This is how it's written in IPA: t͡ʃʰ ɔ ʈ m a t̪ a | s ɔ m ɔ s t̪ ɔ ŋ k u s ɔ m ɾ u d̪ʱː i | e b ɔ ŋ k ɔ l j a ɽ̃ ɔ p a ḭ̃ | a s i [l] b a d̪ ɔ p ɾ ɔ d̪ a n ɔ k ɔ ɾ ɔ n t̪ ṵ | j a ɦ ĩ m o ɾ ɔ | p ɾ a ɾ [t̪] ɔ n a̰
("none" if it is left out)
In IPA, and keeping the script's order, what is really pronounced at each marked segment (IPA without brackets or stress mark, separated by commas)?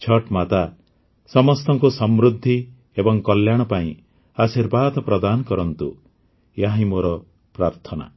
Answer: ɾ, t̪ʰ